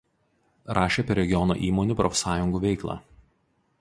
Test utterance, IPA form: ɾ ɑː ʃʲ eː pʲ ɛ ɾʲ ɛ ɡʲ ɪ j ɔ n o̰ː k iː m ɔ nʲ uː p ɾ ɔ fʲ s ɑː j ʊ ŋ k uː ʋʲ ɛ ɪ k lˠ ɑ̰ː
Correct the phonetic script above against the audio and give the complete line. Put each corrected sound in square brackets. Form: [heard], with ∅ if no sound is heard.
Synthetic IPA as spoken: ɾ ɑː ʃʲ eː pʲ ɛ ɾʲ ɛ ɡʲ ɪ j ɔ n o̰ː [ʔ] iː m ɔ nʲ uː p ɾ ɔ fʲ s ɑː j ʊ ŋ [ɡ] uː ʋʲ ɛ ɪ k lˠ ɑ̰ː

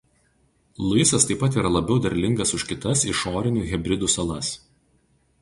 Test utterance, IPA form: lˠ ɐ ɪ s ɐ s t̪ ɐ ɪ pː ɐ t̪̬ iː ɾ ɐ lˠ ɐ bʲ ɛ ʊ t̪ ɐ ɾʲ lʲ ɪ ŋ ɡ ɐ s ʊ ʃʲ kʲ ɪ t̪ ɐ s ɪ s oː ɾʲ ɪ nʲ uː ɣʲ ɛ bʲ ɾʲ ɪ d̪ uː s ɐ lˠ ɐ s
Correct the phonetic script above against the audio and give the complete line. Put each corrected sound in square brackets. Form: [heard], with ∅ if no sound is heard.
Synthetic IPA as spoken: lˠ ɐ ɪ s ɐ s t̪ ɐ ɪ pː ɐ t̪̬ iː ɾ ɐ lˠ ɐ bʲ ɛ ʊ [d̪] ɐ ɾʲ lʲ ɪ ŋ ɡ ɐ s ʊ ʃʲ kʲ ɪ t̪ ɐ s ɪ [ʃ] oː ɾʲ ɪ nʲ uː ɣʲ ɛ bʲ ɾʲ ɪ d̪ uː s ɐ lˠ ɐ s

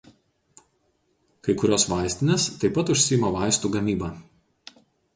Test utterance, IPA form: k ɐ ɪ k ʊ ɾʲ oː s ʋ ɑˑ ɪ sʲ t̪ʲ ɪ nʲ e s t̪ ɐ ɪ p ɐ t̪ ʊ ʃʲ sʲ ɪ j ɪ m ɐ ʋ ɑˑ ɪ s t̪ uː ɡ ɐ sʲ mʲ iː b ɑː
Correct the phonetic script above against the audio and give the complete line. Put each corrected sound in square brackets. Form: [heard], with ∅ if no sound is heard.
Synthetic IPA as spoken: k ɐ ɪ k ʊ ɾʲ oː s ʋ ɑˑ ɪ sʲ t̪ʲ ɪ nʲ e s t̪ ɐ ɪ p ɐ t̪ ʊ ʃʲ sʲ ɪ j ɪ m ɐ ʋ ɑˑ ɪ s t̪ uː ɡ ɐ [∅] mʲ iː b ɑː

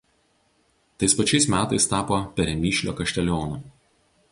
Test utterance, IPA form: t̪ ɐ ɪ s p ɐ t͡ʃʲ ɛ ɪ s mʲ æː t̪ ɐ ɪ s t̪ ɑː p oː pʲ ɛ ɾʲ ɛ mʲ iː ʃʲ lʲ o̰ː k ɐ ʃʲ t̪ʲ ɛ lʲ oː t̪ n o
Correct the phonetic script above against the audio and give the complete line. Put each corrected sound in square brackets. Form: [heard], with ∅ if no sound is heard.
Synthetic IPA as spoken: t̪ ɐ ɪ s p ɐ t͡ʃʲ ɛ ɪ s mʲ æː t̪ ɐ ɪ s t̪ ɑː p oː pʲ ɛ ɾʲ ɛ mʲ iː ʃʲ lʲ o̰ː k ɐ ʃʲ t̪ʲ ɛ lʲ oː [∅] n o

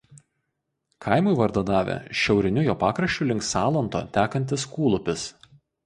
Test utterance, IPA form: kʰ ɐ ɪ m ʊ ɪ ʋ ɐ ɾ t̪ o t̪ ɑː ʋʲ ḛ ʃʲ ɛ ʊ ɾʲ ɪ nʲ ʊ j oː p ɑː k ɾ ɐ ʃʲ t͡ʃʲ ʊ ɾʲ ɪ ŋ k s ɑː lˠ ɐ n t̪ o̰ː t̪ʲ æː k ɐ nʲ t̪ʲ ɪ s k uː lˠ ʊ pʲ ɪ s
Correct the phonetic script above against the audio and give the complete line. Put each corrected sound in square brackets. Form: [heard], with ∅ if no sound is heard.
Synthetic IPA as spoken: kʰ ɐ ɪ m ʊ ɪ ʋ ɐ ɾ [d̪] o [d̪] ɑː ʋʲ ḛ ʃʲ ɛ ʊ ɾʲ ɪ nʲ ʊ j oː p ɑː k ɾ ɐ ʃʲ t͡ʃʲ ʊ [lʲ] ɪ ŋ k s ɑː lˠ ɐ n t̪ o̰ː t̪ʲ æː k ɐ nʲ t̪ʲ ɪ s k uː lˠ ʊ pʲ ɪ s

